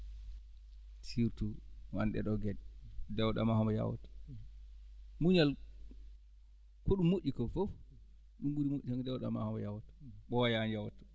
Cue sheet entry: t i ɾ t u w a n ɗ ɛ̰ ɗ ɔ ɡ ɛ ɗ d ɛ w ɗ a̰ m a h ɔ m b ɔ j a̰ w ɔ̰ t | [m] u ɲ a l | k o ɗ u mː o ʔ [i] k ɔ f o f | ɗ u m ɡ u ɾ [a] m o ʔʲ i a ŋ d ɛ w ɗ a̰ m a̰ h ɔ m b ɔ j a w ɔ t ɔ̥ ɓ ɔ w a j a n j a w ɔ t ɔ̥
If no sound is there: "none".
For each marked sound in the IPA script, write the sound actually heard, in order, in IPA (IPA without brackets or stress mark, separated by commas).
m, i, i